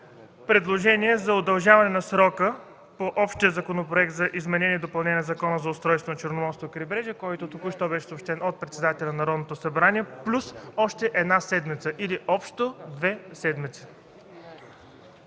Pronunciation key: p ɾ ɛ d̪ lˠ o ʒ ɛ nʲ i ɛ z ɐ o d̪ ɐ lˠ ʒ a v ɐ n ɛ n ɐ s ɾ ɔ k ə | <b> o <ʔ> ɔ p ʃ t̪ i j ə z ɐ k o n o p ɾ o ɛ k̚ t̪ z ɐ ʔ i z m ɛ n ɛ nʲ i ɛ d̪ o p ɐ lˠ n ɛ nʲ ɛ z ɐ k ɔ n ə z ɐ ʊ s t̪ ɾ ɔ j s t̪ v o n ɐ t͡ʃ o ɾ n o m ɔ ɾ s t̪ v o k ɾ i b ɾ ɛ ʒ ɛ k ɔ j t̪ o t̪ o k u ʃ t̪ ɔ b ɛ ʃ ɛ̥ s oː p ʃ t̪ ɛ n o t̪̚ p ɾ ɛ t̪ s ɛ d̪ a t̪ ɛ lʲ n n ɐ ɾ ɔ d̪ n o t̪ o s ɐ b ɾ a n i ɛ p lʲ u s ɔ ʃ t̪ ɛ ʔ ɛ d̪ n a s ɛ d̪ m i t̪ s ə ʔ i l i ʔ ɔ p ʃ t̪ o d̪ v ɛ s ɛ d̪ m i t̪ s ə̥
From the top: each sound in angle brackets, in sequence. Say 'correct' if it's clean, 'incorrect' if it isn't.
incorrect: p, correct

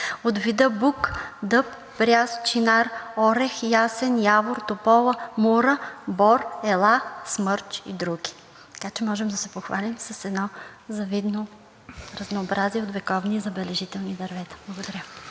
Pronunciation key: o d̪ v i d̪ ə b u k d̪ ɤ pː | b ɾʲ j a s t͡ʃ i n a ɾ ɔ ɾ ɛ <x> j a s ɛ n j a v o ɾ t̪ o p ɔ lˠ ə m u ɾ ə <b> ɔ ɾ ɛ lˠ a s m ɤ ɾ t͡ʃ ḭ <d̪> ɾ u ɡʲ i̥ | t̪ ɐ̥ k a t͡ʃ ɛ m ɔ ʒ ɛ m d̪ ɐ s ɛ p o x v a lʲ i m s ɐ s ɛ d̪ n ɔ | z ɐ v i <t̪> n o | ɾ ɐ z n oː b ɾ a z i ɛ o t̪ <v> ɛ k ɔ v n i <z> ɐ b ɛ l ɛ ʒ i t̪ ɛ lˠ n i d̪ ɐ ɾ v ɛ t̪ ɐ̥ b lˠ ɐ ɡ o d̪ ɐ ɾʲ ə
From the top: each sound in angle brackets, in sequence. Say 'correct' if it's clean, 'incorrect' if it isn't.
correct, correct, correct, incorrect: d̪, correct, correct

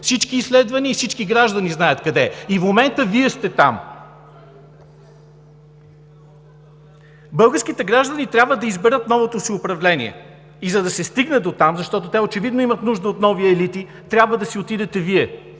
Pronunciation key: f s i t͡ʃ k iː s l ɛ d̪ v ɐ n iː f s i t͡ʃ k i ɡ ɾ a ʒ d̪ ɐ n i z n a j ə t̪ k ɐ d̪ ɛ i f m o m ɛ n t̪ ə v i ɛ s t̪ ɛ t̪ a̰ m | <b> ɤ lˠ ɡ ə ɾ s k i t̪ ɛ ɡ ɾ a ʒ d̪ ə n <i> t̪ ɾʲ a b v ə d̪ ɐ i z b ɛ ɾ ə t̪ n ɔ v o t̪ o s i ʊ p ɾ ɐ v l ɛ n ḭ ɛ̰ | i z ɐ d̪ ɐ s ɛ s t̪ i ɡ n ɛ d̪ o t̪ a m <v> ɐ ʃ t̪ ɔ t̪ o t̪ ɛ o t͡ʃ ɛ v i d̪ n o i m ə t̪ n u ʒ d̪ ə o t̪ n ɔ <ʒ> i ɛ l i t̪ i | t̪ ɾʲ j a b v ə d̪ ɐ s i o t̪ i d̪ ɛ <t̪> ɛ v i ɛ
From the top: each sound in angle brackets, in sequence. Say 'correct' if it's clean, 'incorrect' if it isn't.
correct, correct, incorrect: z, incorrect: v, correct

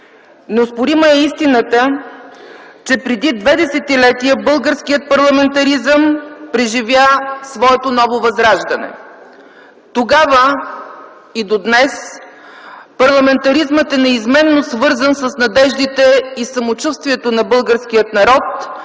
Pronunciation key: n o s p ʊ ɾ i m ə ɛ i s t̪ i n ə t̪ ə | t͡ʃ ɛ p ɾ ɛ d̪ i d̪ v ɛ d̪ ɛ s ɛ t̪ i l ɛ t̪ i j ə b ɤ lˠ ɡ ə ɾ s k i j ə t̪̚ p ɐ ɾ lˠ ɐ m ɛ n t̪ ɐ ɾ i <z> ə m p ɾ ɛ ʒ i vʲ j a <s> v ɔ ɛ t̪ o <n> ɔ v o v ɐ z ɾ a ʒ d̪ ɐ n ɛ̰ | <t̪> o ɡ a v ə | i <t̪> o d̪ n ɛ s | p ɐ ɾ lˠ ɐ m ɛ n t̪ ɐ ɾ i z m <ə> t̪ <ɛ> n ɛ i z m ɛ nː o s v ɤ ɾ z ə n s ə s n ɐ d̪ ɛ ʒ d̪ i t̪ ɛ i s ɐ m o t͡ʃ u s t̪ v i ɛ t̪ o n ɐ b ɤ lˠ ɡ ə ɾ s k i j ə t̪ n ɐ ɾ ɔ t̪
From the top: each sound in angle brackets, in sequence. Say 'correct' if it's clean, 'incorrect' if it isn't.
correct, correct, correct, correct, incorrect: d̪, correct, correct

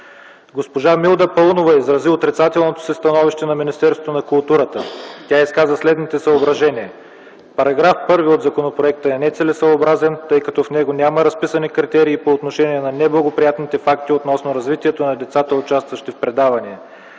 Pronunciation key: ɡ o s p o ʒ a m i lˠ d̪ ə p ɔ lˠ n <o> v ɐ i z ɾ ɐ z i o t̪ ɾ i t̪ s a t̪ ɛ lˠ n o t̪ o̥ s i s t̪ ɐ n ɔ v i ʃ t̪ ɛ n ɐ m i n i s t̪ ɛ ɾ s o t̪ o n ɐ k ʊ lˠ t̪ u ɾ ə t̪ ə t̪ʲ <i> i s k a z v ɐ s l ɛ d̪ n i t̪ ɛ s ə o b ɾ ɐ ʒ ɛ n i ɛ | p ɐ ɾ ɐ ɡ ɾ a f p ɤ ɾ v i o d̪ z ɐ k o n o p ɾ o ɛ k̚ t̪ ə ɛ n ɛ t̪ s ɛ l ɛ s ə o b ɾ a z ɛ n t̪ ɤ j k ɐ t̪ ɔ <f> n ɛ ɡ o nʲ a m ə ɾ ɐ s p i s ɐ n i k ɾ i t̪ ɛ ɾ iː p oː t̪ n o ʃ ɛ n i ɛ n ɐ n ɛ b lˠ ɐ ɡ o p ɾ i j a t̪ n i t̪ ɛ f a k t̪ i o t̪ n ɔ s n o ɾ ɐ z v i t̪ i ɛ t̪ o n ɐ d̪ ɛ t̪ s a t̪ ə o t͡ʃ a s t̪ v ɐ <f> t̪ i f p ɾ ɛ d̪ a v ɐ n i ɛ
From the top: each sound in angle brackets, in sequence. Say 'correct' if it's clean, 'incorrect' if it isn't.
correct, incorrect: a, correct, incorrect: ʃ

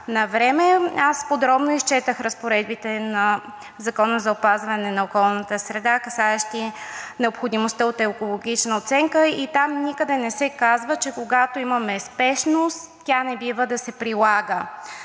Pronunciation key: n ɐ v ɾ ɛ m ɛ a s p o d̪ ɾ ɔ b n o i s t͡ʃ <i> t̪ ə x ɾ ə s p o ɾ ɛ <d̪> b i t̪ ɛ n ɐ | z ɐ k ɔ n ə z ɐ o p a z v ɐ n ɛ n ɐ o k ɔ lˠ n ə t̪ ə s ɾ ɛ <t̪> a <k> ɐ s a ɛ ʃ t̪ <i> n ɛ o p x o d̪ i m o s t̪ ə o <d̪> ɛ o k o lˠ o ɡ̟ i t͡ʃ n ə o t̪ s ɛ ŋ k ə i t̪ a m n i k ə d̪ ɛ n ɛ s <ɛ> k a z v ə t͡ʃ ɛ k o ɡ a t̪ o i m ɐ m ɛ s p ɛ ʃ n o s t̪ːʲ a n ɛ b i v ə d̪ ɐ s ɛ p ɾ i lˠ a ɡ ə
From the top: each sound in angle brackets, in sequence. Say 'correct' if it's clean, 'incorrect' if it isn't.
incorrect: ɛ, correct, incorrect: d̪, correct, correct, incorrect: t̪, correct

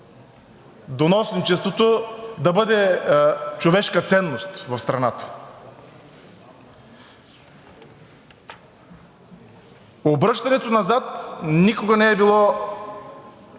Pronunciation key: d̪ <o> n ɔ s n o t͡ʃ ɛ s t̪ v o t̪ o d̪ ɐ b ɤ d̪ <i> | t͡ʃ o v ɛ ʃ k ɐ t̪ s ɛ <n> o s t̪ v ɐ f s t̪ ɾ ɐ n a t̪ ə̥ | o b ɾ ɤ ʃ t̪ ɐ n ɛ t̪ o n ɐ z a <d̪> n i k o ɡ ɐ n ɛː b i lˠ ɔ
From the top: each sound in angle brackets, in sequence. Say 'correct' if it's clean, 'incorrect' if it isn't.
correct, incorrect: ɛ, incorrect: nː, incorrect: t̪

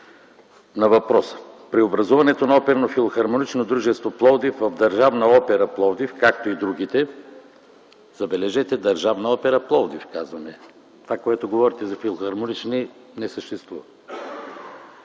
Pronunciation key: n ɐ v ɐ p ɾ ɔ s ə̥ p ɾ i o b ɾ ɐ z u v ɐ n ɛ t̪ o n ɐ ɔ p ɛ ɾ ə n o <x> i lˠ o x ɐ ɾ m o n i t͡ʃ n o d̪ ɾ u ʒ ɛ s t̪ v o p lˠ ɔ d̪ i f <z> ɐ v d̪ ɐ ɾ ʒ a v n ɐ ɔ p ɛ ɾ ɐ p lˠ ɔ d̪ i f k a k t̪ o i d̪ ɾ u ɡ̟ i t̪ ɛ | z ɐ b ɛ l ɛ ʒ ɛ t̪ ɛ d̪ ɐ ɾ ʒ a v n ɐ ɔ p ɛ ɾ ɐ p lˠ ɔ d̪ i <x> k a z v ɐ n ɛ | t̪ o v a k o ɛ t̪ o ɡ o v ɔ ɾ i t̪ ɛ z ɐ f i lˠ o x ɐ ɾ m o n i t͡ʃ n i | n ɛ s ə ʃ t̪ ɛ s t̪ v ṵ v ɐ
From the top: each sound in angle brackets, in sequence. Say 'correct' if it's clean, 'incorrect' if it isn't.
incorrect: f, incorrect: v, incorrect: f

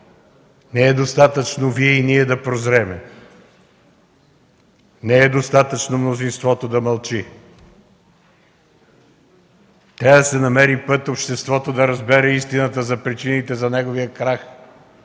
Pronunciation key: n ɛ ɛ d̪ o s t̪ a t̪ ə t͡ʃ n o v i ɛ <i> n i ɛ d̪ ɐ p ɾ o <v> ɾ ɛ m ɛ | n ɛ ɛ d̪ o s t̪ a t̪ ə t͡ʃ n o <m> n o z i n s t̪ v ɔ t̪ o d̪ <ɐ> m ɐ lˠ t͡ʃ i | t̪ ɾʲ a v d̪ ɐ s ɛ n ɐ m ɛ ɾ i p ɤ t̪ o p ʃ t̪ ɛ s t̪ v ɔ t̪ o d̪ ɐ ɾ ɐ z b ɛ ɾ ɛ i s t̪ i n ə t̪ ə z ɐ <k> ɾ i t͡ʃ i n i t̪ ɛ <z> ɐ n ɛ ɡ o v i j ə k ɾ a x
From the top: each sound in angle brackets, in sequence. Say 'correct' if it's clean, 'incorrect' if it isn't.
correct, incorrect: z, correct, correct, incorrect: p, correct

